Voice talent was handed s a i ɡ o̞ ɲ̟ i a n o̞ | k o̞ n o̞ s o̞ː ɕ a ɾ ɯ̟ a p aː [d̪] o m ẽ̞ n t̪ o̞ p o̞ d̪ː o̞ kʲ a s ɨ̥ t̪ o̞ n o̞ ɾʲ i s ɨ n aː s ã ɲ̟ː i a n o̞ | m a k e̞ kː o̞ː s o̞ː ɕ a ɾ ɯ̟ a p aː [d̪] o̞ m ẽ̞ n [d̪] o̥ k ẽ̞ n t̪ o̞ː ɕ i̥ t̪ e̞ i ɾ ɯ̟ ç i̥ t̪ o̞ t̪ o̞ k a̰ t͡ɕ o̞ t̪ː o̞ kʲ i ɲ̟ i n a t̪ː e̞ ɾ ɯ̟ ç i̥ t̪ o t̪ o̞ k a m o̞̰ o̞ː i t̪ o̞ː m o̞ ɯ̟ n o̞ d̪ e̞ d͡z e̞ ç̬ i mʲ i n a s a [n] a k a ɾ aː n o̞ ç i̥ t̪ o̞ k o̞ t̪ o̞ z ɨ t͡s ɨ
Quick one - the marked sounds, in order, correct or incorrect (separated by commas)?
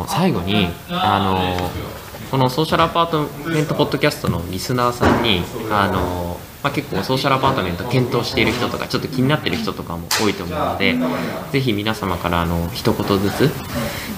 incorrect, incorrect, incorrect, incorrect